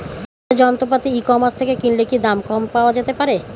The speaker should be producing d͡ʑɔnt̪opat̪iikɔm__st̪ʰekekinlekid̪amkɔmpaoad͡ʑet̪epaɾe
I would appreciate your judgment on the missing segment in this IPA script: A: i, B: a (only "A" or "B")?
B